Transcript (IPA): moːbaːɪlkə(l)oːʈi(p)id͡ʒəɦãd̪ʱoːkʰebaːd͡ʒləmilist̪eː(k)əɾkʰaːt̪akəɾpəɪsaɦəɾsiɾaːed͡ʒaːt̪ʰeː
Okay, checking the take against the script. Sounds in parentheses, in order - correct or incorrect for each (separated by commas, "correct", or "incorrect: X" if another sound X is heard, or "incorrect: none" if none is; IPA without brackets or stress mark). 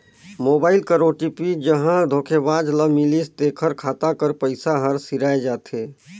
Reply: incorrect: ɾ, correct, incorrect: kʰ